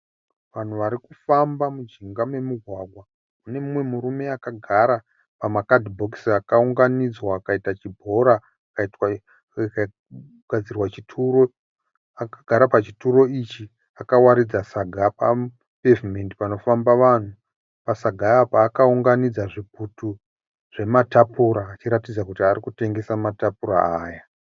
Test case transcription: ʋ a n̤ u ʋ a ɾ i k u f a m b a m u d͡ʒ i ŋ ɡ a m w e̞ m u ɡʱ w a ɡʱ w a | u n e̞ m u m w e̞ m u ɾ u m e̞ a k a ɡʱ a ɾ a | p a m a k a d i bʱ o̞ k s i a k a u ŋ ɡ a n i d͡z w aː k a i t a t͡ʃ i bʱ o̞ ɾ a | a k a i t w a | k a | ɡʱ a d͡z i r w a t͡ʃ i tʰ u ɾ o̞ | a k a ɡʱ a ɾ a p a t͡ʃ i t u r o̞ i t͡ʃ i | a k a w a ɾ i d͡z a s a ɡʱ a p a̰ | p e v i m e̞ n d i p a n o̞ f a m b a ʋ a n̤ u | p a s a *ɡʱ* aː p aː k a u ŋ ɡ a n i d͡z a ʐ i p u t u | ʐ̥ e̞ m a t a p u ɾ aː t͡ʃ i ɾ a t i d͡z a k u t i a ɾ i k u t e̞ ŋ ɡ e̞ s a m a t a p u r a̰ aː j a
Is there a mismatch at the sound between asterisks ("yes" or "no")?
no